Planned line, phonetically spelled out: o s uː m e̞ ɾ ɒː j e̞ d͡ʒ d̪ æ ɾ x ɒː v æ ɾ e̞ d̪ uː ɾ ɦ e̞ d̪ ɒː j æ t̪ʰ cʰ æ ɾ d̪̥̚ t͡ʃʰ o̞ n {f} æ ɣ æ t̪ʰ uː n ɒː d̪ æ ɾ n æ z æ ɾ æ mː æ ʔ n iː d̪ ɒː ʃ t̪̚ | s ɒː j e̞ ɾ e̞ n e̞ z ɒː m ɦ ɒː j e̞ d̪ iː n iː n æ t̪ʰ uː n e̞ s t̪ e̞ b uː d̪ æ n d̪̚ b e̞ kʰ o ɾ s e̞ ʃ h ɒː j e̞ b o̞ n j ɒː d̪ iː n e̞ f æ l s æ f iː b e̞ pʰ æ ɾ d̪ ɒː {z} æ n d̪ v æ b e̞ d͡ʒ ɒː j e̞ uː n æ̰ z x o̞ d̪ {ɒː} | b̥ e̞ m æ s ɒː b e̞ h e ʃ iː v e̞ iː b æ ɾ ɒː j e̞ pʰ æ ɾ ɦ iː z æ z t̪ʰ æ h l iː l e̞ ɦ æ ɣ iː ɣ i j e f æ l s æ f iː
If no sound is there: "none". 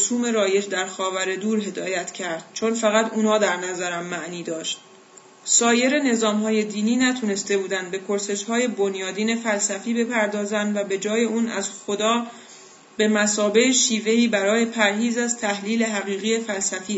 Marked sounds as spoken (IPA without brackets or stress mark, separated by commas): f, z, ɒː